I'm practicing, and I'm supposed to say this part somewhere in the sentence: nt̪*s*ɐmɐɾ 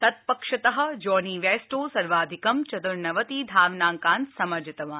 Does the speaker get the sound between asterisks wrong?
no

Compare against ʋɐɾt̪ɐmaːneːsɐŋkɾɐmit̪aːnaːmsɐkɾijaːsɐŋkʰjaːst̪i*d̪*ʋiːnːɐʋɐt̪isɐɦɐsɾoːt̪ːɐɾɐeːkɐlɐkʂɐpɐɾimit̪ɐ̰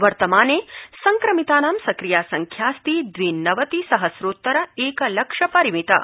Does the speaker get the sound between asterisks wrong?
no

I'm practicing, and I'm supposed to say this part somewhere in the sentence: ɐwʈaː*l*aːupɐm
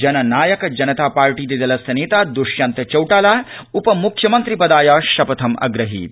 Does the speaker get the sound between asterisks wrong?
no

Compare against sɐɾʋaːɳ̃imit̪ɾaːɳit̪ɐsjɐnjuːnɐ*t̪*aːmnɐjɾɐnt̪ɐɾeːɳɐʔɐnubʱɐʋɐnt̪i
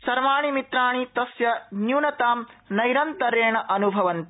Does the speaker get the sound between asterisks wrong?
no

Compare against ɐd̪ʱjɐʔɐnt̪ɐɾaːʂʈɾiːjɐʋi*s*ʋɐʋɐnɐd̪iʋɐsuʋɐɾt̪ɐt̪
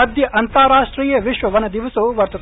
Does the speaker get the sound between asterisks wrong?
yes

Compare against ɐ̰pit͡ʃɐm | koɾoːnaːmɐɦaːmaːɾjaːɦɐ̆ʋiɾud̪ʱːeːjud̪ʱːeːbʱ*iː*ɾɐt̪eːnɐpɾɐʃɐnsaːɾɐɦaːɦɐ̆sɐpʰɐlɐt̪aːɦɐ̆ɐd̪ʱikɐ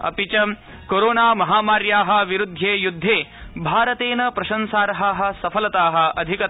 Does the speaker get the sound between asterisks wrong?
yes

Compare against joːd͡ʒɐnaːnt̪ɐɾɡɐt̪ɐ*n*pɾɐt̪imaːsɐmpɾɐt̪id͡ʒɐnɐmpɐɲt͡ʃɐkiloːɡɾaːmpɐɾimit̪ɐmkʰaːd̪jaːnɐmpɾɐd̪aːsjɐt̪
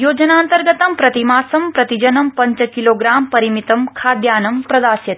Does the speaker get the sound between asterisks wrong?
yes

